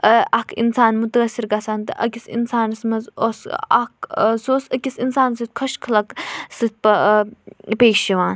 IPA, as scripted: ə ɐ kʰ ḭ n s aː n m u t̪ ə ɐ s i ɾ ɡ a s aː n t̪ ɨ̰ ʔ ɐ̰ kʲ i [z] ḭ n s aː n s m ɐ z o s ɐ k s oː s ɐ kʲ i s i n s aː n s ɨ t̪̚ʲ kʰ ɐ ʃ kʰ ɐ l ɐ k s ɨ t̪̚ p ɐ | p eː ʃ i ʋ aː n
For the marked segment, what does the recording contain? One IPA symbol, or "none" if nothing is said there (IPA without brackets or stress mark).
s